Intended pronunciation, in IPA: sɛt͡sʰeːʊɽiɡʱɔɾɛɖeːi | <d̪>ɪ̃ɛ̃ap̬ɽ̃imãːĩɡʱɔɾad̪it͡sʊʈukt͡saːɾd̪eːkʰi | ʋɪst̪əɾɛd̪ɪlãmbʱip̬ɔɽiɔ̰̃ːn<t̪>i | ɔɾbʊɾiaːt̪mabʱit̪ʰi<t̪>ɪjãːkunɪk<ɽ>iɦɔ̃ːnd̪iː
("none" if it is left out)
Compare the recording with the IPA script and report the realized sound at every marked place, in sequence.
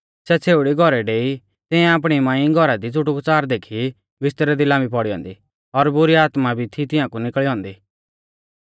t̪, d̪, t̪, ɭ

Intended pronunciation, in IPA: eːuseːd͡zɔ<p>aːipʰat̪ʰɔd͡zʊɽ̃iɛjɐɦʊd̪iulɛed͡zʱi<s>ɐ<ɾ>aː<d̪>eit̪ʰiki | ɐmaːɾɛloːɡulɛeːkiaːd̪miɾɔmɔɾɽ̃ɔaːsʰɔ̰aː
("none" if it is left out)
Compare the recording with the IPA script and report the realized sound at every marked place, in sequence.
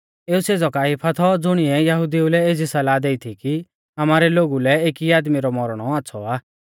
k, s, l, d̪

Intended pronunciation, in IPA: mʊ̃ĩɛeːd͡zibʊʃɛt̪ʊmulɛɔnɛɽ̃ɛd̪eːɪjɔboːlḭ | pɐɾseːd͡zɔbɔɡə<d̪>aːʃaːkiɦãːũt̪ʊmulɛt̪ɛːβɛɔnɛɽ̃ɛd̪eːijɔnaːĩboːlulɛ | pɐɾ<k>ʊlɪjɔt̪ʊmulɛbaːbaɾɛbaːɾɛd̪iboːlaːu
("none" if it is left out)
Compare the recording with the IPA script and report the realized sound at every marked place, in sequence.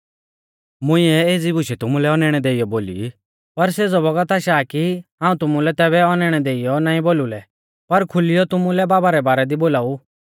t̪, kʰ

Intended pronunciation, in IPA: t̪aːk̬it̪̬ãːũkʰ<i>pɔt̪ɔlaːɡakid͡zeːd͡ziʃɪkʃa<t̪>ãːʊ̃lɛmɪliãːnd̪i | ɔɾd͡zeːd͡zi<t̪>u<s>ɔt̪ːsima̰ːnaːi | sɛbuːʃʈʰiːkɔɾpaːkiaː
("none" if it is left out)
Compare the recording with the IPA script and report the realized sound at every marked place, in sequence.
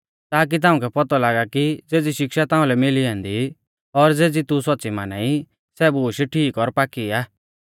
ɛ, t̪, t̪, s

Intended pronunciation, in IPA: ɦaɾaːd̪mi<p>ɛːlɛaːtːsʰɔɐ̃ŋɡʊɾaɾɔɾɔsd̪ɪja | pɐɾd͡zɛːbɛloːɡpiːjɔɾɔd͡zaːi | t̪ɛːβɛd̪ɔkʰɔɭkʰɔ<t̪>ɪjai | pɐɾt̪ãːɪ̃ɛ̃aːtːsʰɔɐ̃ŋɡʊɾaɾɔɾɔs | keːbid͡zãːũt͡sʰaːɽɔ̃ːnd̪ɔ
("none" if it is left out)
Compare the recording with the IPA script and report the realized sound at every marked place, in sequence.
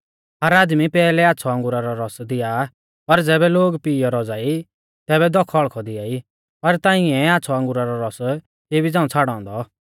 p, d̪

